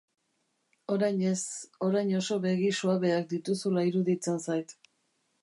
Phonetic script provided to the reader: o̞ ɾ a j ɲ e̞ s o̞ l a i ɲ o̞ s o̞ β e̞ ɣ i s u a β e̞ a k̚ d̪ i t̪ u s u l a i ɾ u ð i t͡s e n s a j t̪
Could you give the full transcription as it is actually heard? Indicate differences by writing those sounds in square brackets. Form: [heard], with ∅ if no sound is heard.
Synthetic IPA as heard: o̞ ɾ a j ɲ e̞ s o̞ [ɾ] a [j] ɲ o̞ s o̞ β e̞ ɣ i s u a β e̞ a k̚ d̪ i t̪ u s u l a i ɾ u ð i t͡s e n s a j t̪